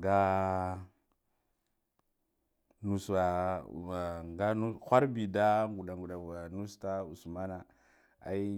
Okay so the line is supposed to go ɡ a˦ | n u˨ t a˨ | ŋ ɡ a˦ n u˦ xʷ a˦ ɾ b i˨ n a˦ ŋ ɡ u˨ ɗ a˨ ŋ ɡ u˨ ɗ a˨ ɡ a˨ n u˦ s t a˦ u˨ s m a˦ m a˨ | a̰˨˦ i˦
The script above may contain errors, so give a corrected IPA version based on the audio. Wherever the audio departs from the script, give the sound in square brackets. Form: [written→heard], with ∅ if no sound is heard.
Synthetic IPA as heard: ɡ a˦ | n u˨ [t→s] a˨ | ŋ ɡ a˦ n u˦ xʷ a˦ ɾ b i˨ [n→d] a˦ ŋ ɡ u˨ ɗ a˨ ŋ ɡ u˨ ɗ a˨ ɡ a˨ n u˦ s t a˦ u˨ s m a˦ [m→n] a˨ | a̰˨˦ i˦